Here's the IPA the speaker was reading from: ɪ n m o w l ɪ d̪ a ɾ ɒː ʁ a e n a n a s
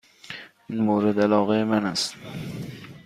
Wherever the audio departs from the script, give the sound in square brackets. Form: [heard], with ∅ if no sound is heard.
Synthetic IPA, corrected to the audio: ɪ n m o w [ɾ] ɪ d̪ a [l] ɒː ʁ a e [m] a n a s

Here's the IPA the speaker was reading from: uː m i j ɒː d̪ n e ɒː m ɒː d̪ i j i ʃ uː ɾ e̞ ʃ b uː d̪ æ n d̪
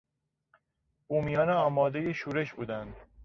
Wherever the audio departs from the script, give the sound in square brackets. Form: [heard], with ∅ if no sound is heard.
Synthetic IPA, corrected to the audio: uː m i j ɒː [∅] n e ɒː m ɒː d̪ [e] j [e] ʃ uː ɾ e̞ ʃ b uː d̪ æ n d̪

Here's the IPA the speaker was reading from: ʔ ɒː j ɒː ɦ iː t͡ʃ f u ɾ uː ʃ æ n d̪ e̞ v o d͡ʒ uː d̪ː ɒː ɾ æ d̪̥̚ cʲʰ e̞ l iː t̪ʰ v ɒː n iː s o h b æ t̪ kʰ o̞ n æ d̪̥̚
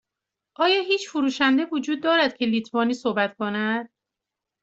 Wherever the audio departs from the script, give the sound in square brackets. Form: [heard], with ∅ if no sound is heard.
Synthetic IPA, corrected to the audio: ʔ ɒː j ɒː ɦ iː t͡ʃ f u ɾ uː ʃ æ n d̪ e̞ v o d͡ʒ uː d̪ː ɒː ɾ æ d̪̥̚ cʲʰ e̞ l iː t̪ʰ v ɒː n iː s o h b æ t̪ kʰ o̞ n æ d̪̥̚

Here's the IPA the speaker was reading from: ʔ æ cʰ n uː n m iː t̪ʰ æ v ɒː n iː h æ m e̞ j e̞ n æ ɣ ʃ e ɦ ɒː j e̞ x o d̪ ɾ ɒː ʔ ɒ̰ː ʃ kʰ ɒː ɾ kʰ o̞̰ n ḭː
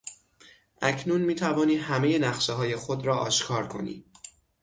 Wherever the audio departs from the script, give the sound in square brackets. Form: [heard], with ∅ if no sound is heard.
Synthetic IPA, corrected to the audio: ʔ æ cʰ n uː n m iː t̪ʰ æ v ɒː n iː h æ m e̞ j e̞ n æ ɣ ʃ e ɦ ɒː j e̞ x o d̪ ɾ ɒː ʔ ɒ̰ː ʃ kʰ ɒː ɾ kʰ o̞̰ n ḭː

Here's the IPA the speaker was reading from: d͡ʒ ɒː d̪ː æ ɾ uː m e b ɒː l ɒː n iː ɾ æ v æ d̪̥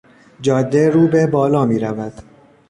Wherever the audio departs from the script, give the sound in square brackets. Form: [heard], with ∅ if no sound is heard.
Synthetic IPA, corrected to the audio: d͡ʒ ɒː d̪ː [e] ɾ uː [b] e b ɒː l ɒː [m] iː ɾ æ v æ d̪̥

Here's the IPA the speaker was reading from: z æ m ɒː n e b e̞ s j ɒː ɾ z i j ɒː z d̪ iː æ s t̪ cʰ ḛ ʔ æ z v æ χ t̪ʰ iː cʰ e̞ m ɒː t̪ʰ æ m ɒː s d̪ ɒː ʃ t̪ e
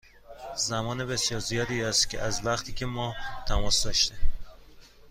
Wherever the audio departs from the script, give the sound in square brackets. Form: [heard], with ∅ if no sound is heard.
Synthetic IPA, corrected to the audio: z æ m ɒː n e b e̞ s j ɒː ɾ z i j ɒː [∅] d̪ iː æ s t̪ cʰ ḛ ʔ æ z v æ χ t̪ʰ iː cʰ e̞ m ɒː t̪ʰ æ m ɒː s d̪ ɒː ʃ t̪ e

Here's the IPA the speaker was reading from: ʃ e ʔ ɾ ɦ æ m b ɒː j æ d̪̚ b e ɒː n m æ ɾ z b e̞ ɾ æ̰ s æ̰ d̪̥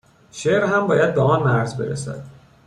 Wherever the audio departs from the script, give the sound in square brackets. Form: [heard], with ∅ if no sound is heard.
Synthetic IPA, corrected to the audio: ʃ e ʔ ɾ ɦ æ m b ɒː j æ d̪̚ b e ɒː n m æ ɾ z b e̞ ɾ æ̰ s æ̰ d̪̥

